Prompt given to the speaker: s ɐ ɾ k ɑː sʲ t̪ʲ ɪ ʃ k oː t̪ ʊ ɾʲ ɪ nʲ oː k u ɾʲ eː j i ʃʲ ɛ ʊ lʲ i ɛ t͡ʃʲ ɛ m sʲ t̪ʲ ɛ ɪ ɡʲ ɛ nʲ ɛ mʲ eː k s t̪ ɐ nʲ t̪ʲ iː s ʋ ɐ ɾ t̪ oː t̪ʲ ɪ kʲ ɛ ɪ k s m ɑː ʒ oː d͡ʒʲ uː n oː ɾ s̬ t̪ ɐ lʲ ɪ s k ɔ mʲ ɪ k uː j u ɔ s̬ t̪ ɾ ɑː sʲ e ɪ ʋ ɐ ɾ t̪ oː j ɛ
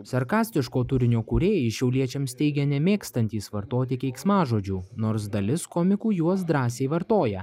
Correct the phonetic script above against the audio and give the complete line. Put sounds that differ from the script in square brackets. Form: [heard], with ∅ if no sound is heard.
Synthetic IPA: s ɐ ɾ k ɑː sʲ t̪ʲ ɪ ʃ k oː t̪ ʊ ɾʲ ɪ nʲ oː k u ɾʲ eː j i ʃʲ ɛ ʊ lʲ i ɛ t͡ʃʲ ɛ m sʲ t̪ʲ ɛ ɪ ɡʲ ɛ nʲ ɛ mʲ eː k s t̪ ɐ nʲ t̪ʲ iː s ʋ ɐ ɾ t̪ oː t̪ʲ ɪ kʲ ɛ ɪ k s m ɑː ʒ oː d͡ʒʲ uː n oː ɾ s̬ [d̪] ɐ lʲ ɪ s k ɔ mʲ ɪ k uː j u ɔ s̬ [d̪] ɾ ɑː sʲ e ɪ ʋ ɐ ɾ t̪ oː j ɛ